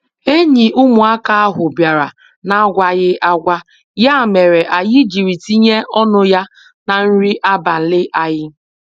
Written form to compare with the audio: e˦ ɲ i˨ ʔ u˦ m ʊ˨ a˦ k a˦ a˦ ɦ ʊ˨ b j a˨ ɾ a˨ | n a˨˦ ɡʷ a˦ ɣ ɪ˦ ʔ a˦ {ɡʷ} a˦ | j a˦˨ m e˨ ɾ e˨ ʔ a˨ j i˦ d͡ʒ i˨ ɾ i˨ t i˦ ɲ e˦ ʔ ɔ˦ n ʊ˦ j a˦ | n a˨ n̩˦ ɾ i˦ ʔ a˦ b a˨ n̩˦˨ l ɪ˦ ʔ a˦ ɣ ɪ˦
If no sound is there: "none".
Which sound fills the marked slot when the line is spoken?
ɡʷ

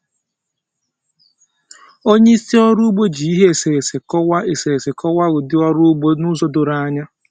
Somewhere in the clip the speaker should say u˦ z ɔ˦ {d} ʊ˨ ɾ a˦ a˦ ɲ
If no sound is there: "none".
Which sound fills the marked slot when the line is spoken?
d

